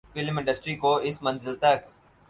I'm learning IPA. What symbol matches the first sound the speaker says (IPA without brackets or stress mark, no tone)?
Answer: f